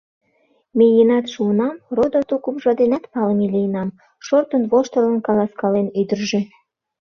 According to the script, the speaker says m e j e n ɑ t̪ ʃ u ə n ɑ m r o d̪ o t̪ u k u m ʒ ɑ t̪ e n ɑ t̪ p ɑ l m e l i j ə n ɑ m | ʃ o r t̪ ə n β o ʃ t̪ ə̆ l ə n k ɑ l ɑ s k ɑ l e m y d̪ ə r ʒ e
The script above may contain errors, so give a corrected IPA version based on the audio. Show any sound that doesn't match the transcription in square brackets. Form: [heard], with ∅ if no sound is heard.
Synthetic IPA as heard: m e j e n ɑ t̪ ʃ u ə n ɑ m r o d̪ o t̪ u k u m ʒ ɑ [d̪] e n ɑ t̪ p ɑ l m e l i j ə n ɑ m | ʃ o r t̪ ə n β o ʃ t̪ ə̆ l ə n k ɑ l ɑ s k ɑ l e [n] y d̪ ə r ʒ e